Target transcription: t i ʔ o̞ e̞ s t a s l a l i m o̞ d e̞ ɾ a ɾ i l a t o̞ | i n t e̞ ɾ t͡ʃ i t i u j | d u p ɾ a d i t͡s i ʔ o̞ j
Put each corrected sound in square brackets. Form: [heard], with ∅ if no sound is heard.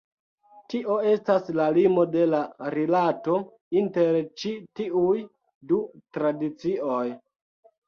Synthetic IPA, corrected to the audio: t i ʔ o̞ e̞ s t a s l a l i m o̞ d e̞ [l] a ɾ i l a t o̞ | i n t e̞ ɾ t͡ʃ i t i u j | d u [t] ɾ a d i t͡s i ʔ o̞ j

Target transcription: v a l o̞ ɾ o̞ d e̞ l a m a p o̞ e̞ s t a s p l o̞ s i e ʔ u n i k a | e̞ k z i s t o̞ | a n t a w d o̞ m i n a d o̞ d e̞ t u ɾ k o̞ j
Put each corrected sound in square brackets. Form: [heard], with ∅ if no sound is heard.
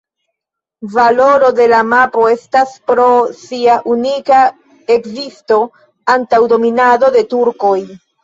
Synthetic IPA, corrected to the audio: v a l o̞ ɾ o̞ d e̞ l a m a p o̞ e̞ s t a s p [ɾ] o̞ s i [a] ʔ u n i k a | e̞ k z i s t o̞ | a n t a w d o̞ m i n a d o̞ d e̞ t u ɾ k o̞ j

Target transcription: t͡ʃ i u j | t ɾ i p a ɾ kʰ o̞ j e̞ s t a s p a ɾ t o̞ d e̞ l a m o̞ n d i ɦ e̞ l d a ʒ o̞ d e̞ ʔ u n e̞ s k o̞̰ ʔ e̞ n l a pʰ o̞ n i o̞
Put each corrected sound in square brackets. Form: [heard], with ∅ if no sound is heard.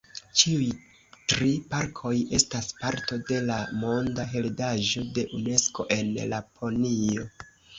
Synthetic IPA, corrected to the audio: t͡ʃ i u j | t ɾ i p a ɾ kʰ o̞ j e̞ s t a s p a ɾ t o̞ d e̞ l a m o̞ n d [a] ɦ e̞ l d a ʒ o̞ d e̞ ʔ u n e̞ s k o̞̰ ʔ e̞ n l a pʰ o̞ n i o̞

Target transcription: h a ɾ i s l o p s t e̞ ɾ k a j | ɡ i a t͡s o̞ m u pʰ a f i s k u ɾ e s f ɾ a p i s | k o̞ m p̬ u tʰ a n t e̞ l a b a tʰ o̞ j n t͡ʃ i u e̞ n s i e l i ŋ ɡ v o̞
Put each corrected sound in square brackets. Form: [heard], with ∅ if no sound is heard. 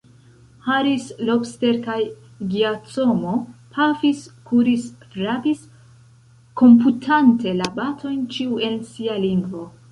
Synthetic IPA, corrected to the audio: h a ɾ i s l o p s t e̞ ɾ k a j | ɡ i a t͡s o̞ m [o] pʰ a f i s k u ɾ [i] s f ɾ a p i s | k o̞ m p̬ u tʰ a n t e̞ l a b a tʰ o̞ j n t͡ʃ i u e̞ n s i [a] l i ŋ ɡ v o̞

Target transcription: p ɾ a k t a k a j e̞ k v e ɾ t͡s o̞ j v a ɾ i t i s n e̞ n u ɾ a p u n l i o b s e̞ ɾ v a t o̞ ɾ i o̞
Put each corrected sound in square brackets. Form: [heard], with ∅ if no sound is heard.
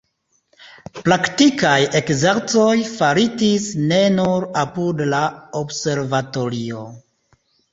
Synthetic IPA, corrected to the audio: p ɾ a k t [i] k a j e̞ k [z] e ɾ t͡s o̞ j [f] a ɾ i t i s n e̞ n u ɾ a p u [d] l [a] o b s e̞ ɾ v a t o̞ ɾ i o̞

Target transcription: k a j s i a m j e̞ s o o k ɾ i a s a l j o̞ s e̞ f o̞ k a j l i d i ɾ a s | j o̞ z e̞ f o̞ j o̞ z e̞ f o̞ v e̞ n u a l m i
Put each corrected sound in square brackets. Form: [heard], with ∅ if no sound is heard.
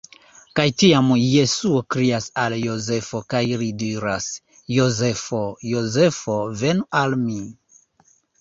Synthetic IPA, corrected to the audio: k a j [t] i a m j e̞ s [u] o k ɾ i a s a l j o̞ [z] e̞ f o̞ k a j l i d i ɾ a s | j o̞ z e̞ f o̞ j o̞ z e̞ f o̞ v e̞ n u a l m i

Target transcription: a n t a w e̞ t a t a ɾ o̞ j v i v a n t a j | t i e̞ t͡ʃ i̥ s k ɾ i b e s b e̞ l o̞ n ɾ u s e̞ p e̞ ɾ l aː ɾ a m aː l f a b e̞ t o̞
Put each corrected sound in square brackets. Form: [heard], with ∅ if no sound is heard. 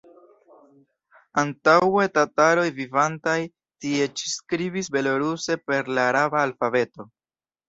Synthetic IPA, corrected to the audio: a n t a w e̞ t a t a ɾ o̞ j v i v a n t a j | t i e̞ t͡ʃ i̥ s k ɾ i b [i] s b e̞ l o̞ [∅] ɾ u s e̞ p e̞ ɾ l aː ɾ a [b] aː l f a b e̞ t o̞

